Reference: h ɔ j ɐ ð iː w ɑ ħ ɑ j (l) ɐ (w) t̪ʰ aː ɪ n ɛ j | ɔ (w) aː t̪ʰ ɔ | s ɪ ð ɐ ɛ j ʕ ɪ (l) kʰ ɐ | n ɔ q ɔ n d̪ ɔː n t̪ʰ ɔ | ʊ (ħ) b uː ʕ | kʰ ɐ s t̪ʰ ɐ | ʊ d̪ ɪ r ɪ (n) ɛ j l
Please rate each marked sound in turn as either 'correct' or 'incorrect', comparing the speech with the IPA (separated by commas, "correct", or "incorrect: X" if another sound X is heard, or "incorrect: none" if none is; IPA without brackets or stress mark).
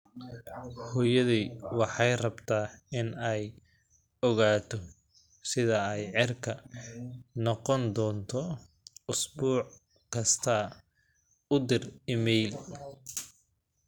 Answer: incorrect: r, incorrect: b, incorrect: ɣ, incorrect: r, incorrect: s, incorrect: m